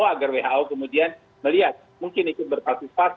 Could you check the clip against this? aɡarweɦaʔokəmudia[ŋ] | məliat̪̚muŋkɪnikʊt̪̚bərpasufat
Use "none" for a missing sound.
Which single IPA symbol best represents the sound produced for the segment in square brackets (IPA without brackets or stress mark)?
n